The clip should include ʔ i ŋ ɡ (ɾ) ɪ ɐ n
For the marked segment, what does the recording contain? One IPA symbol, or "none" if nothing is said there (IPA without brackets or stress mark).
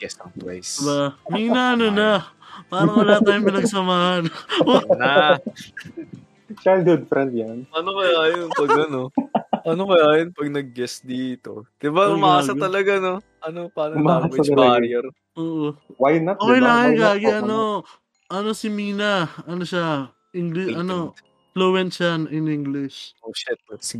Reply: l